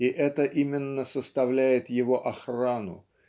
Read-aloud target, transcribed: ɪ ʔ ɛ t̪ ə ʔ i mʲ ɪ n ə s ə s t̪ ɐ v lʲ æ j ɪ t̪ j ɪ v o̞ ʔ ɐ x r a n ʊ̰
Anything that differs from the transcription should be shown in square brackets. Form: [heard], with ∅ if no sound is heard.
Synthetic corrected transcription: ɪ ʔ ɛ t̪ ə ʔ i mʲ ɪ [nː] ə s ə s t̪ ɐ v lʲ æ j ɪ t̪ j ɪ v o̞ ʔ ɐ x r a n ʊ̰